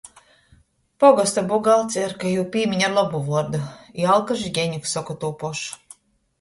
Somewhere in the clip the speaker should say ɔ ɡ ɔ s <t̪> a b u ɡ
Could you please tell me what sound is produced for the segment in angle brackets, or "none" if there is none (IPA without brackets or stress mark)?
t̪